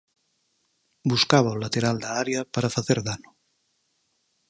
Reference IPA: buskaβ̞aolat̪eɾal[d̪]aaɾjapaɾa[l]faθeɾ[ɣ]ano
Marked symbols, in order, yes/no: yes, no, no

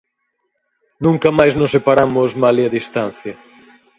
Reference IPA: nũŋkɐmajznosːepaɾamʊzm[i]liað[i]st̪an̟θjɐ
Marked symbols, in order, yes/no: no, yes

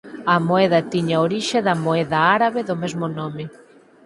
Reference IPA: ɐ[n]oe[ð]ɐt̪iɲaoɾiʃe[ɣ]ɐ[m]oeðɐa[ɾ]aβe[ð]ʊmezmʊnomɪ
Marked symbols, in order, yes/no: no, yes, no, yes, yes, yes

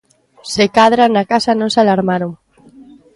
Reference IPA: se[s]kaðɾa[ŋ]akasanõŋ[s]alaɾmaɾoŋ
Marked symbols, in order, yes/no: no, no, yes

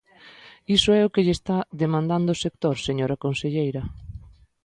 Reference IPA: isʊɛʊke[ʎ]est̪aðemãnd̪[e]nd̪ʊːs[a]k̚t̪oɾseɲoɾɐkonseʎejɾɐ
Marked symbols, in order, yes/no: yes, no, no

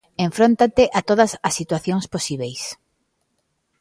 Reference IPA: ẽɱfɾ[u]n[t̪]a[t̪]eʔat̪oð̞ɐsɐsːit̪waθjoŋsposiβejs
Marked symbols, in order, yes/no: no, yes, yes

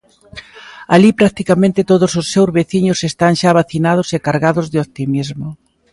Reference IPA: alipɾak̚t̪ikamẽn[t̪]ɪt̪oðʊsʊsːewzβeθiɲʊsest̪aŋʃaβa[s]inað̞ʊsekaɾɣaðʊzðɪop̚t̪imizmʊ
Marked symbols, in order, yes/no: yes, no

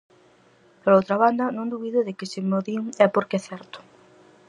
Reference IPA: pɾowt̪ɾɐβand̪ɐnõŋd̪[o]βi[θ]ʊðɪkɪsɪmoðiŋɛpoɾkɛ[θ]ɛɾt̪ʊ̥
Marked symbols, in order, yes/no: no, no, yes

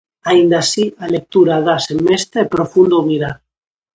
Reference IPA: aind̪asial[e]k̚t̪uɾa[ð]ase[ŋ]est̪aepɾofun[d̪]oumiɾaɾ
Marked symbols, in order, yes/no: yes, yes, no, yes

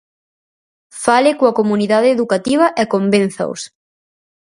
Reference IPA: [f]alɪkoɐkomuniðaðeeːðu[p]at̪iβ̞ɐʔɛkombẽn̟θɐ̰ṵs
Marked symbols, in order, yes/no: yes, no

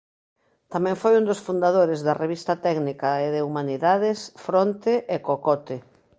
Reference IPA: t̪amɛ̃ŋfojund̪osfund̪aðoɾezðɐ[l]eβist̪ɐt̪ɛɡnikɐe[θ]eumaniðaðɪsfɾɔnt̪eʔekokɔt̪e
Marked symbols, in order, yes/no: no, no

